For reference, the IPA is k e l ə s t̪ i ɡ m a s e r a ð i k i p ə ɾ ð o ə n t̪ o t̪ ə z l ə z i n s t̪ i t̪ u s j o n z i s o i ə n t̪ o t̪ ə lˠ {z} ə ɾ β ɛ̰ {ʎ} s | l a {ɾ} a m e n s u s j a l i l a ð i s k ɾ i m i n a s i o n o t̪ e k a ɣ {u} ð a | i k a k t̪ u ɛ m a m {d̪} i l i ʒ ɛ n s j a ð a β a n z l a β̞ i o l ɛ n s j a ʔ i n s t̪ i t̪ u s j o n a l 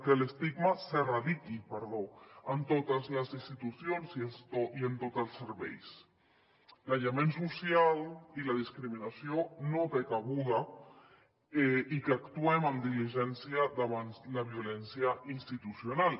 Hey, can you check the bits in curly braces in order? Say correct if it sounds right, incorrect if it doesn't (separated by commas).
incorrect, incorrect, incorrect, correct, correct